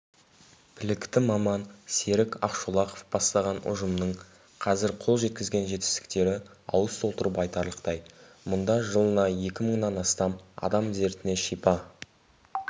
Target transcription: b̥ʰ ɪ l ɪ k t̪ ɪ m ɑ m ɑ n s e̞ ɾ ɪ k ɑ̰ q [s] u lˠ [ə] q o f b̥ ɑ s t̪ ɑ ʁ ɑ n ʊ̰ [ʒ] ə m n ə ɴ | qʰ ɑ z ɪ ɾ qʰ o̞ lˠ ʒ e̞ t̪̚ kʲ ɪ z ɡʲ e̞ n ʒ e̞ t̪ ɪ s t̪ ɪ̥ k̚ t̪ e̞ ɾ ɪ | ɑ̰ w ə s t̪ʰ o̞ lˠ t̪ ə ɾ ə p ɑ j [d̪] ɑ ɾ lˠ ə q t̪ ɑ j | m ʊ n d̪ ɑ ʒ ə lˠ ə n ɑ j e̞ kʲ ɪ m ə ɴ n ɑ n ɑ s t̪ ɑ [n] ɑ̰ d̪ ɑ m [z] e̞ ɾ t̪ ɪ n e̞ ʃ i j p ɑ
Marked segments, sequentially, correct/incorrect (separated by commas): incorrect, incorrect, correct, incorrect, incorrect, correct